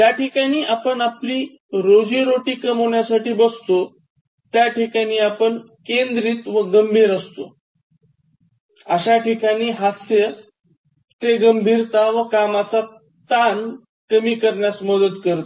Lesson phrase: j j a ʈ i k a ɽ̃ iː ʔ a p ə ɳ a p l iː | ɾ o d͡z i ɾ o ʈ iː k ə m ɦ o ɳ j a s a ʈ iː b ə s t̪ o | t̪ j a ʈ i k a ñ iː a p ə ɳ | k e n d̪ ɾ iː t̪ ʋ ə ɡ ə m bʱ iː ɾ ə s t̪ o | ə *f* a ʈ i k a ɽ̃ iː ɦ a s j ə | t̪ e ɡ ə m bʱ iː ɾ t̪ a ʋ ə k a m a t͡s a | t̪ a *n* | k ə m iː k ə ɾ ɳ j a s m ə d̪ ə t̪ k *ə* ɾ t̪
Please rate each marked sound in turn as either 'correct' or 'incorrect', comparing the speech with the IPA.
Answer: incorrect, correct, correct

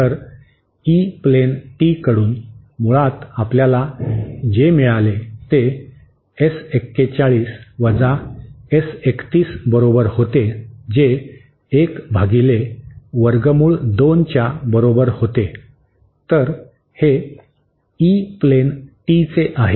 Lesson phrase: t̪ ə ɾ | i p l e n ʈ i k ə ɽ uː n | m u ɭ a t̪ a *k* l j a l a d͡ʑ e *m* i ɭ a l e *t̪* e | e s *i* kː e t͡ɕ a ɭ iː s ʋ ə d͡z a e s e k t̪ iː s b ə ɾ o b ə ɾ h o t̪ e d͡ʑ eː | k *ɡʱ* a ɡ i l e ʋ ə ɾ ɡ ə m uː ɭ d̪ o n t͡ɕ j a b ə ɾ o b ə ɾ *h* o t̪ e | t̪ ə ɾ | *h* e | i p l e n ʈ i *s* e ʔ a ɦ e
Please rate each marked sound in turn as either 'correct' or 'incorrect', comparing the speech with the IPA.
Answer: incorrect, correct, correct, incorrect, incorrect, correct, correct, incorrect

